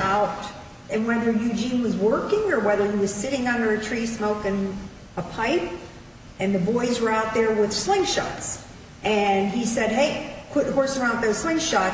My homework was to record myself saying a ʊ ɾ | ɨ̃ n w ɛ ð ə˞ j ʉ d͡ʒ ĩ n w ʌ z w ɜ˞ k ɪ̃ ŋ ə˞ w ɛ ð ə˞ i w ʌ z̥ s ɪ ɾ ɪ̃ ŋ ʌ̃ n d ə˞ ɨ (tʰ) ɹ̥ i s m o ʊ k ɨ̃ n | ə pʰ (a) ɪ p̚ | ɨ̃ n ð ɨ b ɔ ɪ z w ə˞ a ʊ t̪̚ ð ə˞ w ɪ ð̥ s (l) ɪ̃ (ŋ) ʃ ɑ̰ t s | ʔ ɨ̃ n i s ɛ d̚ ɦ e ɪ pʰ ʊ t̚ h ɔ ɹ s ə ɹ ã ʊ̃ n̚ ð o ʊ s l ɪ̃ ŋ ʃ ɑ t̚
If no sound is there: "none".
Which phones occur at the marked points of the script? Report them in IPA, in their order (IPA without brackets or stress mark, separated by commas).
tʰ, a, l, ŋ